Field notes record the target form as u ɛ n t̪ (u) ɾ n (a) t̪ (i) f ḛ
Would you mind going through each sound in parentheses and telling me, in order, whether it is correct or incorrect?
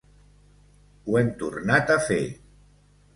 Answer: correct, correct, incorrect: a

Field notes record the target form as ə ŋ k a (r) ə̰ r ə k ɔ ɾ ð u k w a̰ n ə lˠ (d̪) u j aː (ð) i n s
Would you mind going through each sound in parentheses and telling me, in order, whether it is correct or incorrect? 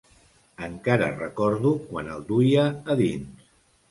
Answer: incorrect: ɾ, correct, correct

